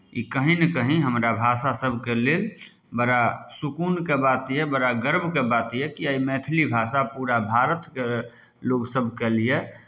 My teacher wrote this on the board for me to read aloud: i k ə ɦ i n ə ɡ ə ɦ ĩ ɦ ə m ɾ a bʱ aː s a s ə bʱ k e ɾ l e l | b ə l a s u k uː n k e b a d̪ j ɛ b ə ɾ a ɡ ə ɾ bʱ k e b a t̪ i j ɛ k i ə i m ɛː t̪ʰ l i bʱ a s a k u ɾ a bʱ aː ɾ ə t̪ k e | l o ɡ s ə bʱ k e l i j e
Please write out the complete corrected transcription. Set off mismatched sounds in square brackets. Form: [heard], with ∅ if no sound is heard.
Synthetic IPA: i k ə ɦ i n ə [k] ə ɦ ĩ ɦ ə m ɾ a bʱ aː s a s ə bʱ k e [∅] l e l | b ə [ɾ] a s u k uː n k e b a [t̪] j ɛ b ə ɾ a ɡ ə ɾ bʱ k e b a t̪ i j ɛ k i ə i m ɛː t̪ʰ l i bʱ a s a [p] u ɾ a bʱ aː ɾ ə t̪ k e | l o ɡ s ə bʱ k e l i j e